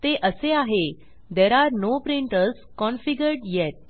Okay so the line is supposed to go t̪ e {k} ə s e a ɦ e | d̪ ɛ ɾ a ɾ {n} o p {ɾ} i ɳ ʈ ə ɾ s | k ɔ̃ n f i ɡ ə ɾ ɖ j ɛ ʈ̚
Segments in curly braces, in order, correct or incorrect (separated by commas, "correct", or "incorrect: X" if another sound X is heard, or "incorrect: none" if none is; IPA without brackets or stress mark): incorrect: ʔ, correct, correct